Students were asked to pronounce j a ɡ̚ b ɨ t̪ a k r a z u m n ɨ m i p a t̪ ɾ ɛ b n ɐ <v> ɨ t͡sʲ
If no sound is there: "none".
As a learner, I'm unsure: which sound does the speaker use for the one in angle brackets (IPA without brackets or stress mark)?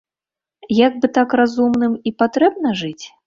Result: ʐ